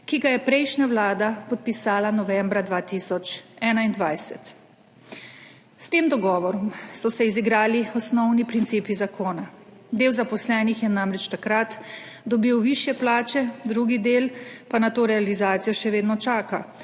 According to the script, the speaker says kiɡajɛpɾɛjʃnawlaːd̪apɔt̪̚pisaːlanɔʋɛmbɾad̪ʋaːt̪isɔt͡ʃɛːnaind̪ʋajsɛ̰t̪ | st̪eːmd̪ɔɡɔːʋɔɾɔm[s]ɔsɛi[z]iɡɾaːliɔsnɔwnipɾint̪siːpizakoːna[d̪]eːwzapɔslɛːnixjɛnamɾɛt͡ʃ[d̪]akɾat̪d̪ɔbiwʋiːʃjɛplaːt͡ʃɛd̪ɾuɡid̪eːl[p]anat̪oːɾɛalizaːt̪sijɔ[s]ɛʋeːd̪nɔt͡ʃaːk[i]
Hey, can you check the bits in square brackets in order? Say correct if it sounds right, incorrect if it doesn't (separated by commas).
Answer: correct, correct, correct, incorrect, correct, incorrect, incorrect